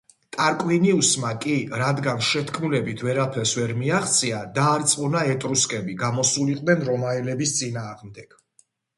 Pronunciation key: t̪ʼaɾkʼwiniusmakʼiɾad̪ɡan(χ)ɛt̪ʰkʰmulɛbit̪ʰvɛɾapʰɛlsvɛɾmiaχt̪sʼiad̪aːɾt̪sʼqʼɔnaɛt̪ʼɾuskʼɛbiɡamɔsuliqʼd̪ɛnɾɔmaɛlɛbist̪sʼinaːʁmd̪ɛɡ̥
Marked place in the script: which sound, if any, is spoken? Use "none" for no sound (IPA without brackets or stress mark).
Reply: ʃ